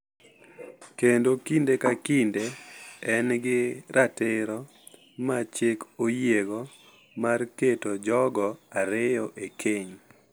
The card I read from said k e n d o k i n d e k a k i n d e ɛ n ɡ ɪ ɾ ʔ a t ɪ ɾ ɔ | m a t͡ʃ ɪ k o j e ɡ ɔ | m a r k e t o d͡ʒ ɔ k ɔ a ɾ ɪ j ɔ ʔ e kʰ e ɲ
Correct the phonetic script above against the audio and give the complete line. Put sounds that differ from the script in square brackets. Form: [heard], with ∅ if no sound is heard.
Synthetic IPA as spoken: k e n d o k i n d e k a k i n d e ɛ n ɡ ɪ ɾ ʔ a t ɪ ɾ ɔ | m a t͡ʃ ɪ k o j e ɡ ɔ | m a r k e t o d͡ʒ ɔ [ɡ] ɔ a ɾ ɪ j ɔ ʔ e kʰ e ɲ